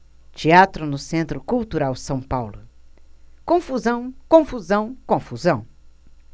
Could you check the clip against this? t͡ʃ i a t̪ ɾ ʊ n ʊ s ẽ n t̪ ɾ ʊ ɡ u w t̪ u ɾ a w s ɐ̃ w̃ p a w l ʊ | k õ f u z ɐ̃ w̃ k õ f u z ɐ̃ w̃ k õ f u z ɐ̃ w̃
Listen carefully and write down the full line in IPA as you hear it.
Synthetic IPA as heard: t͡ʃ i a t̪ ɾ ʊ n ʊ s ẽ n t̪ ɾ ʊ k u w t̪ u ɾ a w s ɐ̃ w̃ p a w l ʊ | k õ f u z ɐ̃ w̃ k õ f u z ɐ̃ w̃ k õ f u z ɐ̃ w̃